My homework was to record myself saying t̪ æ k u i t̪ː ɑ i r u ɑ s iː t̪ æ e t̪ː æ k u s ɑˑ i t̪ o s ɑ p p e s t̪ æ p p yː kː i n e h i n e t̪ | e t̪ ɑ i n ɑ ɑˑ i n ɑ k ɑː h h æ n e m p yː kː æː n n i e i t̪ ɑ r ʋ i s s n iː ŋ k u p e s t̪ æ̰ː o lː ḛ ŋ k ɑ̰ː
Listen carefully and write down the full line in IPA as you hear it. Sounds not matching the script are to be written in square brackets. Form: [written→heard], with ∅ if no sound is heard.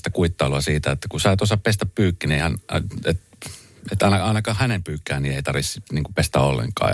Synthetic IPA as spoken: t̪ æ k u i t̪ː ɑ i [r→l] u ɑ s iː t̪ æ e t̪ː æ k u s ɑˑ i t̪ o s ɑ p p e s t̪ æ p p yː kː i n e h [i→æ] n e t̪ | e t̪ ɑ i n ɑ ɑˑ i n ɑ k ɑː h h æ n e m p yː kː æː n n i e i t̪ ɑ r ʋ i s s n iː ŋ k u p e s t̪ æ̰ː o lː ḛ ŋ k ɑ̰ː